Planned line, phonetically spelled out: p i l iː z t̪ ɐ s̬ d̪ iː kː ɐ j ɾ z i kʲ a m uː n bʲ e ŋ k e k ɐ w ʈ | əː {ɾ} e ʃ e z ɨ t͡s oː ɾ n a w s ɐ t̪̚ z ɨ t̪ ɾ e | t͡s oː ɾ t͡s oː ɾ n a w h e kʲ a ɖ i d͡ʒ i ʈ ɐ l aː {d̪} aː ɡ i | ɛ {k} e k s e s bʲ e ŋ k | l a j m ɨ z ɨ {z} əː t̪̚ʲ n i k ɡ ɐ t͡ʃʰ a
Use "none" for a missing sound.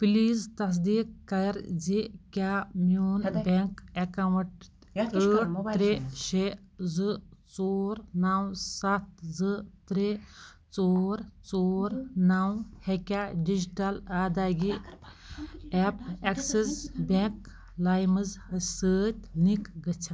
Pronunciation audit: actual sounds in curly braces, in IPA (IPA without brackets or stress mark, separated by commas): ɾ, d̪, p, s